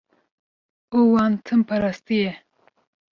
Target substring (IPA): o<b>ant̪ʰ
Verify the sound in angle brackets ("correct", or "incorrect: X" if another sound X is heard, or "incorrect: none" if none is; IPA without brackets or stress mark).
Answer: incorrect: w